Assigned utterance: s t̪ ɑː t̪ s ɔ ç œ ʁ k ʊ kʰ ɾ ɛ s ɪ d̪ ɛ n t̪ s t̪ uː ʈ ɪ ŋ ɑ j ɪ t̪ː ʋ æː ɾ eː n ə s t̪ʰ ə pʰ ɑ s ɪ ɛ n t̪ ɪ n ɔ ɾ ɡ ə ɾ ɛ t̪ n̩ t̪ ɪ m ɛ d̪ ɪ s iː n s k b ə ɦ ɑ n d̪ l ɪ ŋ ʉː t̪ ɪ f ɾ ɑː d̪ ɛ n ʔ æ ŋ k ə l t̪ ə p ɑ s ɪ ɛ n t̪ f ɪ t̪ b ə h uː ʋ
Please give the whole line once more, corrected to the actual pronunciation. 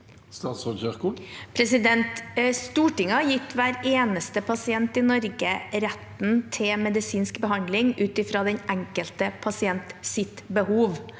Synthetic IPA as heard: s t̪ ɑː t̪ s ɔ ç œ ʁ k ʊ pʰ ɾ ɛ s ɪ d̪ ɛ n t̪ s t̪ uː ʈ ɪ ŋ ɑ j ɪ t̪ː ʋ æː ɾ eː n ə s t̪ ə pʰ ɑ s ɪ ɛ n t̪ ɪ n ɔ ɾ ɡ ə ɾ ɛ t̪ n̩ t̪ʰ ɪ m ɛ d̪ ɪ s iː n s k b ə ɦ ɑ n d̪ l ɪ ŋ ʉː t̪ ɪ f ɾ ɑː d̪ ɛ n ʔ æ ŋ k ə l t̪ ə pʰ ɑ s ɪ ɛ n t̪ s ɪ t̪ b ə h uː ʋ